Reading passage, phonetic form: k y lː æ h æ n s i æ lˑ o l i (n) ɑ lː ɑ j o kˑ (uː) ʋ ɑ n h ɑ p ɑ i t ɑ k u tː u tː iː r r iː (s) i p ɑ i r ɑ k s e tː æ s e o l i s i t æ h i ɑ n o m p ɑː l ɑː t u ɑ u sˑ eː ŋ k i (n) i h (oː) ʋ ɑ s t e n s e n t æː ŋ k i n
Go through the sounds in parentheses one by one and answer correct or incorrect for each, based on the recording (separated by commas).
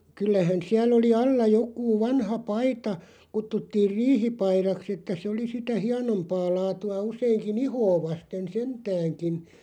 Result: incorrect, correct, incorrect, correct, correct